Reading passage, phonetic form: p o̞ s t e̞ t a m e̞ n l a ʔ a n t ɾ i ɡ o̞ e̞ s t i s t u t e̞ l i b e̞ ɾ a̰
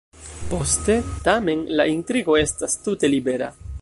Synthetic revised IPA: p o̞ s t e̞ t a m e̞ n l a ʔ i n t ɾ i ɡ o̞ e̞ s t a s t u t e̞ l i b e̞ ɾ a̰